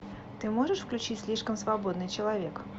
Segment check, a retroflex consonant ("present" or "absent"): present